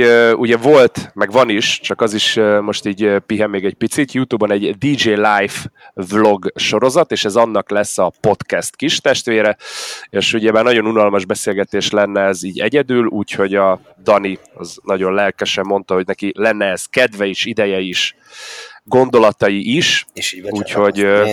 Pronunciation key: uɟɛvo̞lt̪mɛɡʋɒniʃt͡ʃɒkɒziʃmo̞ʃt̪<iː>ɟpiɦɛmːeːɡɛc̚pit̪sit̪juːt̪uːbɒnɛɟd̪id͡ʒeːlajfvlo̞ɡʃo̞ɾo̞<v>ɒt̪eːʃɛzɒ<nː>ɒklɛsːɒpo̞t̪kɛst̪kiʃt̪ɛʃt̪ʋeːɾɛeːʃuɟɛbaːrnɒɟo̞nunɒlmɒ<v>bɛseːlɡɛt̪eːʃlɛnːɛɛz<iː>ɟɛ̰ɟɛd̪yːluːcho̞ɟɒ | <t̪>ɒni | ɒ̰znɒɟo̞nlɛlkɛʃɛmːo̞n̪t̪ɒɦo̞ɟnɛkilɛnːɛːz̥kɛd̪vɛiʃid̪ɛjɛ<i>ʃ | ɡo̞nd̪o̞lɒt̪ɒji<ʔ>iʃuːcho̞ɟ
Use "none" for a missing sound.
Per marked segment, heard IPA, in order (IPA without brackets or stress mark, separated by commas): iː, z, nː, ʒ, iː, d̪, i, ʔ